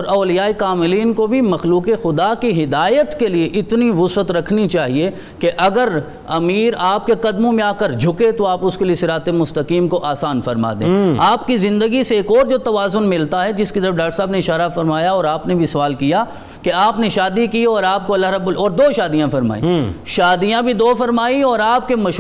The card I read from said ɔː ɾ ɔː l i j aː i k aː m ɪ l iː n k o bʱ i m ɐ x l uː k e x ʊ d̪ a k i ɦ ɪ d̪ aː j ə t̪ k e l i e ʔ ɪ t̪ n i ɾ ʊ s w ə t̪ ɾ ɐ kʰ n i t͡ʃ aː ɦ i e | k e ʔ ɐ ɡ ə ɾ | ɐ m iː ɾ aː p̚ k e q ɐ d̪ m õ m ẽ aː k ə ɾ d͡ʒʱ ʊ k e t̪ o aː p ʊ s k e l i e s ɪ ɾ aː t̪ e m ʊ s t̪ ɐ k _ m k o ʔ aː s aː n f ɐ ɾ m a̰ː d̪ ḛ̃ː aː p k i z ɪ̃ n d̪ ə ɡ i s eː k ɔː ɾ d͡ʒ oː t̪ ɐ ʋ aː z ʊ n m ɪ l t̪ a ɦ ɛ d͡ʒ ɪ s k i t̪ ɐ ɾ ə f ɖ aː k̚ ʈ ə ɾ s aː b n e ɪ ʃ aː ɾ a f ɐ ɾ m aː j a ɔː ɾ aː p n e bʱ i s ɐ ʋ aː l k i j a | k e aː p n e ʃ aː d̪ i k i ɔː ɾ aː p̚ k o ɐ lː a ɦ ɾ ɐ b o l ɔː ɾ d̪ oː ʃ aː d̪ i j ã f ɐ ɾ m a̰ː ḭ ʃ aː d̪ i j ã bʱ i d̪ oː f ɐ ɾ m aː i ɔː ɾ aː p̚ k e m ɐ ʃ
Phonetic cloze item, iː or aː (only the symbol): iː